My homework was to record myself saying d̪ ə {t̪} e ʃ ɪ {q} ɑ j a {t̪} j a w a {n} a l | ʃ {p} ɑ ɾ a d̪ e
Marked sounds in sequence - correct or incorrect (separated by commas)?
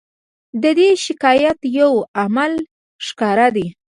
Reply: incorrect, incorrect, correct, incorrect, incorrect